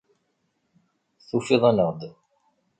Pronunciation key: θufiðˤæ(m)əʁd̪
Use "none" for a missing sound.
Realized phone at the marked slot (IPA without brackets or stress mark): n